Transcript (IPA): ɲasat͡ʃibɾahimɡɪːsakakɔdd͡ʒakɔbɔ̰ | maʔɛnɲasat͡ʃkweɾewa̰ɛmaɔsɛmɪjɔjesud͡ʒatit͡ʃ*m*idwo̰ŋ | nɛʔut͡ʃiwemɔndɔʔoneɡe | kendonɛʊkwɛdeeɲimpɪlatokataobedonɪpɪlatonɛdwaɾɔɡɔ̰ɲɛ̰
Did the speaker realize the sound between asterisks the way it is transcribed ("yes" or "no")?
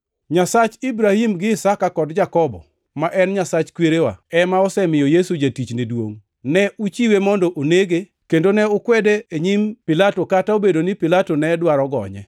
no